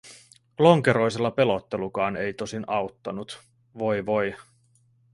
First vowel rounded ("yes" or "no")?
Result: yes